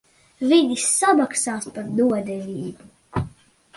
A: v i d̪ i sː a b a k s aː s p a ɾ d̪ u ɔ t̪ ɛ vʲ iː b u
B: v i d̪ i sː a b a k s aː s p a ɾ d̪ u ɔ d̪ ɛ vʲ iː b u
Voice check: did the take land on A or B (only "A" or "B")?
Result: B